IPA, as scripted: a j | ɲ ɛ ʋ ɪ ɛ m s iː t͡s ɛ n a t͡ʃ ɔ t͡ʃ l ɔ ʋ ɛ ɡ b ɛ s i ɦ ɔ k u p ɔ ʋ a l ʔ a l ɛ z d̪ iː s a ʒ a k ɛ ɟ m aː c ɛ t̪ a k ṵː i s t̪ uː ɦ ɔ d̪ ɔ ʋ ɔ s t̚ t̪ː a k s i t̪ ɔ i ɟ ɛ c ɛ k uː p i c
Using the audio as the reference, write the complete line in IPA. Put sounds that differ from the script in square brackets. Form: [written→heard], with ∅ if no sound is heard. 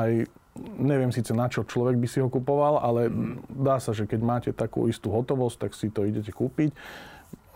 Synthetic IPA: a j | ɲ ɛ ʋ ɪ ɛ m s iː t͡s ɛ n a t͡ʃ ɔ t͡ʃ l ɔ ʋ ɛ ɡ b [ɛ→i] s i ɦ ɔ k u p ɔ ʋ a l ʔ a l ɛ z d̪ [iː→aː] s a ʒ [a→ɛ] k ɛ ɟ m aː c ɛ t̪ a k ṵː i s t̪ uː ɦ ɔ [d̪→t̪] ɔ ʋ ɔ s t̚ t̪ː a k s i t̪ ɔ i ɟ ɛ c ɛ k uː p i c